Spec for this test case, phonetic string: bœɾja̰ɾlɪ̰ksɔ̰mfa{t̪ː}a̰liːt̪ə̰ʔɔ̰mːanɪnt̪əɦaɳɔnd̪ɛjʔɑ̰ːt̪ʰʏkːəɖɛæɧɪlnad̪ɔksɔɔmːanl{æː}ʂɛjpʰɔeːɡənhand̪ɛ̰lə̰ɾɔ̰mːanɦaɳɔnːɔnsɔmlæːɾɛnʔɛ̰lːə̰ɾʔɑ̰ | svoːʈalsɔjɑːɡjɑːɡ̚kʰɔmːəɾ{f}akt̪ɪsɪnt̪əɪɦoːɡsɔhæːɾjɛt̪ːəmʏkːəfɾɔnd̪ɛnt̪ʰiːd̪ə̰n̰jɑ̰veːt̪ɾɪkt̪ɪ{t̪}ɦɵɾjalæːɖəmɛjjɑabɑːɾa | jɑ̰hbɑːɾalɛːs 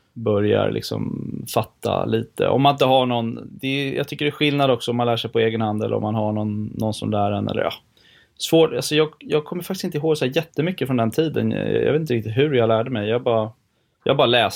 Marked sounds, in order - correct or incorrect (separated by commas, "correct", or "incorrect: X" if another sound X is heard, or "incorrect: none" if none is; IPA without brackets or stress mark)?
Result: correct, correct, correct, correct